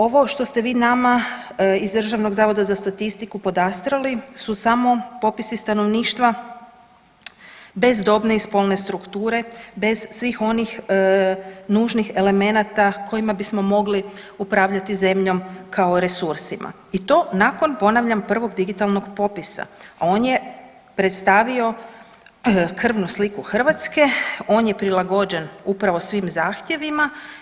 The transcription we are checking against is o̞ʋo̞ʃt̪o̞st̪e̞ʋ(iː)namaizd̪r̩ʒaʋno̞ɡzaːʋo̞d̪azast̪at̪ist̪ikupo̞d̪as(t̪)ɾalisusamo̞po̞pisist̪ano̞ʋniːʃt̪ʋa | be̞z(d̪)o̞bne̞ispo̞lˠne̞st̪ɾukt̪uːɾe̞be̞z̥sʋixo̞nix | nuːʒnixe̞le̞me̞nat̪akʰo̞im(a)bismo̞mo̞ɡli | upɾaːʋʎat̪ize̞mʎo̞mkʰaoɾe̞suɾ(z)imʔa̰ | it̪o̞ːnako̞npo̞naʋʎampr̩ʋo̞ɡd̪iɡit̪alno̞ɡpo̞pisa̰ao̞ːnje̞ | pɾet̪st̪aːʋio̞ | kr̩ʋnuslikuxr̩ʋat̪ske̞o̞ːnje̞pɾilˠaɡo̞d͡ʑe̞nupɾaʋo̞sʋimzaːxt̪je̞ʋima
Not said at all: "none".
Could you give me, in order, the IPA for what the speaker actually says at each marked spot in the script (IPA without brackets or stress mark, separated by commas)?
iː, t̪, d̪, a, s